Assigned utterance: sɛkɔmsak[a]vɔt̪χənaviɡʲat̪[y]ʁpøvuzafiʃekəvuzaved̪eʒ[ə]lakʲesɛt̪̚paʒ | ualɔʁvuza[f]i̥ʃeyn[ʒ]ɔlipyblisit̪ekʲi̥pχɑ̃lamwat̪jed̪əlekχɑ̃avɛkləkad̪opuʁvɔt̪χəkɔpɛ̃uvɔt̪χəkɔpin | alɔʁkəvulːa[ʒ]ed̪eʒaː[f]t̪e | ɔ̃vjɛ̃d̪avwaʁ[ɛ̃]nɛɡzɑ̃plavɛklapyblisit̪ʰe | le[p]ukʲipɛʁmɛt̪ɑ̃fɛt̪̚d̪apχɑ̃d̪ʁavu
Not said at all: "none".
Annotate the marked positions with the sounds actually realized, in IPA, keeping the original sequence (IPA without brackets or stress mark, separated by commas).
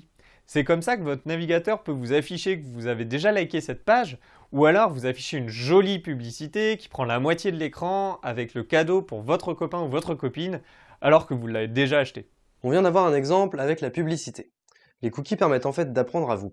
ə, œ, a, f, ʒ, v, ʃ, ɛ̃, k